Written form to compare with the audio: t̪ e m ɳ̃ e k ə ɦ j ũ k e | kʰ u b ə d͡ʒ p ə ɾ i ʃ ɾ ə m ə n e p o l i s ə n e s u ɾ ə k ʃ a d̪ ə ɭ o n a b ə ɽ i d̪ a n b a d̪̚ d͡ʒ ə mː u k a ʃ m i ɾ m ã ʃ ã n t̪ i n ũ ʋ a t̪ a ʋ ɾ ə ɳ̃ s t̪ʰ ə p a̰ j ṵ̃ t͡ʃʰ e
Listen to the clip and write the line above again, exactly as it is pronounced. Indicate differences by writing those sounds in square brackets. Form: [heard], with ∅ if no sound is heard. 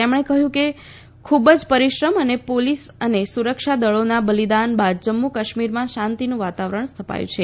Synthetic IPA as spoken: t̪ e m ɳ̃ e k ə ɦ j ũ k e | kʰ u b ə d͡ʒ p ə ɾ i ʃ ɾ ə m ə n e p o l i s ə n e s u ɾ ə k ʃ a d̪ ə ɭ o n a b ə [l] i d̪ a n b a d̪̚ d͡ʒ ə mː u k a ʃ m i ɾ m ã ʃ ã n t̪ i n ũ ʋ a t̪ a ʋ ɾ ə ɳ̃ s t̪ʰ ə p a̰ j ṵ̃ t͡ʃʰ e